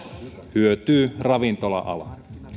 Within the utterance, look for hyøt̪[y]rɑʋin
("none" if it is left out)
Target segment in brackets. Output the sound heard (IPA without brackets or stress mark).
yː